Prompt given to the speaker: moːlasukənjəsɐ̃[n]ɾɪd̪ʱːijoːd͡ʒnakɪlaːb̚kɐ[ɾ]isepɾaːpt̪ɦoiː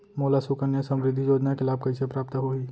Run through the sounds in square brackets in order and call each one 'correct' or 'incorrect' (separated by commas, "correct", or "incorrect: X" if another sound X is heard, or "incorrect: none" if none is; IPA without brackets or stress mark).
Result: incorrect: m, incorrect: none